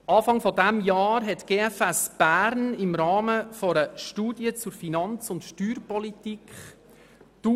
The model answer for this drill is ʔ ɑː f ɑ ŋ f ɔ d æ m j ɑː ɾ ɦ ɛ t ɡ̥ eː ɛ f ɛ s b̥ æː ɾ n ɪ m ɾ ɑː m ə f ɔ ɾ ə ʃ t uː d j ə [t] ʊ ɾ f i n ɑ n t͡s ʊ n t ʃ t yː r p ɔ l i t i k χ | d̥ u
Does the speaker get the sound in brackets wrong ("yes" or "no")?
yes